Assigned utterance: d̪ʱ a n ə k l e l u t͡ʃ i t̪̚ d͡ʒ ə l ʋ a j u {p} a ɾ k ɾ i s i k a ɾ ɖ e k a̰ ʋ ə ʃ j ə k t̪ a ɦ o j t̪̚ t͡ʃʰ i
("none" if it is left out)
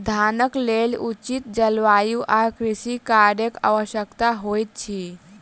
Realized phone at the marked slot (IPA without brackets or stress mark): ʔ